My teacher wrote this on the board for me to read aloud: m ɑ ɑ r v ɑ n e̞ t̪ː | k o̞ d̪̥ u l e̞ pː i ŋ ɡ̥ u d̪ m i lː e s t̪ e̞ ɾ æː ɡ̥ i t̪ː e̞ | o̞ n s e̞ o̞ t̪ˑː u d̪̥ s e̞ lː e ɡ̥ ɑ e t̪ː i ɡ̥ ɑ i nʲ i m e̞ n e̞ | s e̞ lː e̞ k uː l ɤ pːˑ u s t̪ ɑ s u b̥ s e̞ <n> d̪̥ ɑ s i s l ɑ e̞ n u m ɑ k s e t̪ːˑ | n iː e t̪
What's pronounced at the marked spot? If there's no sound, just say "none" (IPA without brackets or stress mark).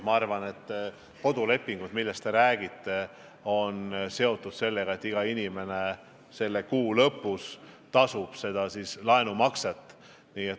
none